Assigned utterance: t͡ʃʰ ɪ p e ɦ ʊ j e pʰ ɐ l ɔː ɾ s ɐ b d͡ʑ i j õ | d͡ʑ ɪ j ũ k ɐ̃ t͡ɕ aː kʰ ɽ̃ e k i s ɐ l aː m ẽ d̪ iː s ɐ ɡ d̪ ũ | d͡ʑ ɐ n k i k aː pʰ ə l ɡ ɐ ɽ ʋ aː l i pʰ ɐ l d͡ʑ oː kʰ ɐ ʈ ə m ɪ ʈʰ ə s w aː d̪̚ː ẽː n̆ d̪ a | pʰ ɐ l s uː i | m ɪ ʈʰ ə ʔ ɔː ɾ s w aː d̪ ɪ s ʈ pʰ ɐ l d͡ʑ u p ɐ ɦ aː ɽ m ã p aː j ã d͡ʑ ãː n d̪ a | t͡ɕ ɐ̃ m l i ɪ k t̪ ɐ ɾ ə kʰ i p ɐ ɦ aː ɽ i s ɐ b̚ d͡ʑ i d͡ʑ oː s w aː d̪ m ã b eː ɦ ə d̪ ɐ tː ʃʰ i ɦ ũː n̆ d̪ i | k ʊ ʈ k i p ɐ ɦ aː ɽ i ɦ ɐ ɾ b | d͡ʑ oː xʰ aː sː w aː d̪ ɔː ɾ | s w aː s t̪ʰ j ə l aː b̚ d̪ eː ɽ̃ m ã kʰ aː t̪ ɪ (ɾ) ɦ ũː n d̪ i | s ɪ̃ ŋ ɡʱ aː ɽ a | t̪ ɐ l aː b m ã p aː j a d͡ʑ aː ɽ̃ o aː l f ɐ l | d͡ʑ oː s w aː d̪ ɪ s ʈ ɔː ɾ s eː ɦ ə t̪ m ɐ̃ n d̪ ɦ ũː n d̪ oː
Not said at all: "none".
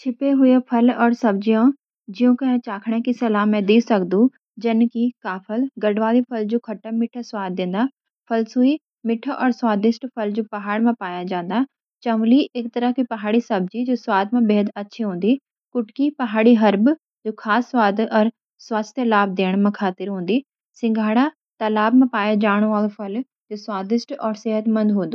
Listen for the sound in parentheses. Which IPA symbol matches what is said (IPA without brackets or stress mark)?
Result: ɾ